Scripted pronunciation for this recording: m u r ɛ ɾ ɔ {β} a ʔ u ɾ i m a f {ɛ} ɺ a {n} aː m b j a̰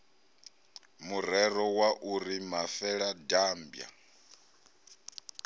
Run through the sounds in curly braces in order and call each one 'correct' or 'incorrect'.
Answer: incorrect, correct, incorrect

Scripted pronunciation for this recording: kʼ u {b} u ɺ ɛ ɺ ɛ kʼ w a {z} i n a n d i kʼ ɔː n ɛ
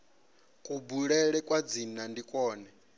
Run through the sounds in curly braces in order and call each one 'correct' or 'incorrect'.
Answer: correct, incorrect

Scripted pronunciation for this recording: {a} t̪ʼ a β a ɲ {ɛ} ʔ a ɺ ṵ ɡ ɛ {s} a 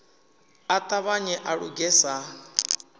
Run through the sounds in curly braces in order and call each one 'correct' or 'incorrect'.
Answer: correct, correct, correct

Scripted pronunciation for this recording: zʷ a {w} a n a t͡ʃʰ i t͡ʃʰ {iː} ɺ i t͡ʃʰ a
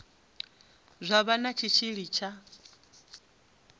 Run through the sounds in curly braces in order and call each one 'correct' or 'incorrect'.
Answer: incorrect, incorrect

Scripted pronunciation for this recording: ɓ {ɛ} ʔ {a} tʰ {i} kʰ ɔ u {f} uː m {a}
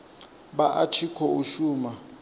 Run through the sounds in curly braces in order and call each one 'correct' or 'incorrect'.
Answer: incorrect, correct, correct, incorrect, correct

